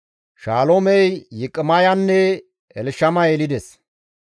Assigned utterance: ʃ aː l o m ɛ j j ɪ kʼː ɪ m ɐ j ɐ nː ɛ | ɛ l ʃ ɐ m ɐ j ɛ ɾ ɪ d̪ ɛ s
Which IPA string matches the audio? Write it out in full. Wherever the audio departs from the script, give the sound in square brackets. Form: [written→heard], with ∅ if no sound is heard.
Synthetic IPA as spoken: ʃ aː l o m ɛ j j ɪ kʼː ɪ m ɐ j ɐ nː ɛ | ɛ l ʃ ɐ m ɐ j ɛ [ɾ→l] ɪ d̪ ɛ s